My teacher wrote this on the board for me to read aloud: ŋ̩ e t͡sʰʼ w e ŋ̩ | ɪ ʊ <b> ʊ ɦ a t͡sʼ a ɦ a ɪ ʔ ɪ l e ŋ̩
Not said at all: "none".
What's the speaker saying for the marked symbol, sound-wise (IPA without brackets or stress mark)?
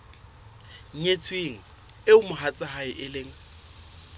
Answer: m